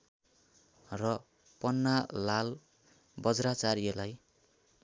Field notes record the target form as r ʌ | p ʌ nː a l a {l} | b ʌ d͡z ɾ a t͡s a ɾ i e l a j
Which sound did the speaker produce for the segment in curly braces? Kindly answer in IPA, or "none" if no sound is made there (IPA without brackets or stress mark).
l